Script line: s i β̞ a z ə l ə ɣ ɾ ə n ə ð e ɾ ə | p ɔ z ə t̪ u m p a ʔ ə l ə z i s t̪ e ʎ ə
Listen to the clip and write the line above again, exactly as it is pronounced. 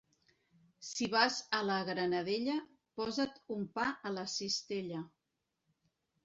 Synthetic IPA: s i β̞ a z ə l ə ɣ ɾ ə n ə ð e ʎ ə | p ɔ z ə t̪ u m p a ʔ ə l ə s i s t̪ e ʎ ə